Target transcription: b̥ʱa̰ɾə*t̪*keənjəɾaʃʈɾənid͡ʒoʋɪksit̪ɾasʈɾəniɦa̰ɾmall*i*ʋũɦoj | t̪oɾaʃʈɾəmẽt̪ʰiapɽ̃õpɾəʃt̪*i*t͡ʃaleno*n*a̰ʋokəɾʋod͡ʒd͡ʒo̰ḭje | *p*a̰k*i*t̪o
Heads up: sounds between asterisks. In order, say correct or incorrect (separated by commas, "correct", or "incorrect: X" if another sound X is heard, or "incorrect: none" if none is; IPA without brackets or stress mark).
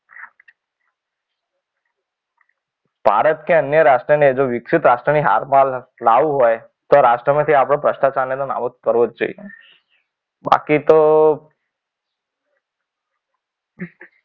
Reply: correct, incorrect: a, incorrect: a, correct, incorrect: b, correct